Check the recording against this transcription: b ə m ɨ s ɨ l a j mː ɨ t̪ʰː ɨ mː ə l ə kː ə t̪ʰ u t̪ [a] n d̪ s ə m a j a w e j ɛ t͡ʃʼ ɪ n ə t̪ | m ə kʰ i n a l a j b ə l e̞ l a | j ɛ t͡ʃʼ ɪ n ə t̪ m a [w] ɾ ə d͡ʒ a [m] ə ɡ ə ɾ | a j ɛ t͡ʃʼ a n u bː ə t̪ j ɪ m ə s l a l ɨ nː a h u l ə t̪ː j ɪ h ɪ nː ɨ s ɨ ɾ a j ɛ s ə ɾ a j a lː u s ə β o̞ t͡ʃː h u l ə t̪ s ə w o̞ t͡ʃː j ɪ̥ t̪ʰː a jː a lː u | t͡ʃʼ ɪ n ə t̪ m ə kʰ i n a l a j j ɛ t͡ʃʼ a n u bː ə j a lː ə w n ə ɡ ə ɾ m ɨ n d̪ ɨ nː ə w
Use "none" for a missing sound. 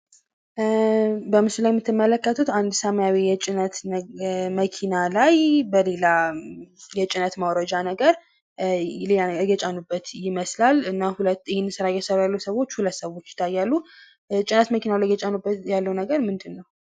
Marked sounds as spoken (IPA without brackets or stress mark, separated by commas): a, w, n